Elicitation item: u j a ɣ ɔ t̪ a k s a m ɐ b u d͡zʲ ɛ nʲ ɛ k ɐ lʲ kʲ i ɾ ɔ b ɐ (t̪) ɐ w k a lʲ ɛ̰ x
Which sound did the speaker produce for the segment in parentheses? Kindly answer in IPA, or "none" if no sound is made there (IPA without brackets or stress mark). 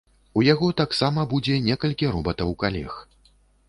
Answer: t̪